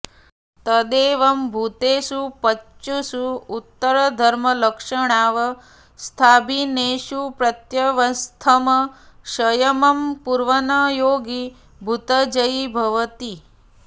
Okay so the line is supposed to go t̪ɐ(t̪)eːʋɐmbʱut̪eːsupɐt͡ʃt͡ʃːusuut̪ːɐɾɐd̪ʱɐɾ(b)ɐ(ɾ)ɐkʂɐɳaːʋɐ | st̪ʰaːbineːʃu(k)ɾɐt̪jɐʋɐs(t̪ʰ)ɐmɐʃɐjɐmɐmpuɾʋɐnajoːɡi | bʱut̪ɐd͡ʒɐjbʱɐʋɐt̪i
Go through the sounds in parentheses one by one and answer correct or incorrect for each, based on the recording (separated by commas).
incorrect, incorrect, incorrect, incorrect, correct